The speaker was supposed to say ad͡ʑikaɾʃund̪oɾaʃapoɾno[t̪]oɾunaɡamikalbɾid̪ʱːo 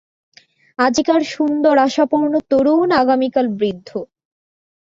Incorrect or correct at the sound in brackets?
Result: correct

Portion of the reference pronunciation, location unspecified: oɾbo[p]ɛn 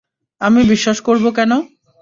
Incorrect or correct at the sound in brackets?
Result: incorrect: k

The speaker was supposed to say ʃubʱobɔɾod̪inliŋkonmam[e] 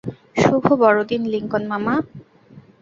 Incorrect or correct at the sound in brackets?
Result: incorrect: a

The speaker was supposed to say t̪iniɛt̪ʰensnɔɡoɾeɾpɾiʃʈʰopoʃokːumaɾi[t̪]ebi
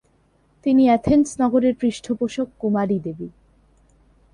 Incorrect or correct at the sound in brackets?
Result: incorrect: d̪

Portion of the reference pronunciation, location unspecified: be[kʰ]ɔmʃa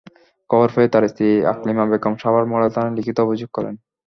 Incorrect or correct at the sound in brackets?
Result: incorrect: k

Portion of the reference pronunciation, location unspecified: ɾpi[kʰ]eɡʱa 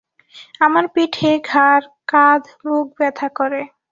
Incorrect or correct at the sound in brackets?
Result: incorrect: ʈʰ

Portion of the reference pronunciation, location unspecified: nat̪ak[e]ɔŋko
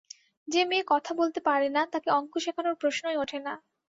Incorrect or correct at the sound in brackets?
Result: correct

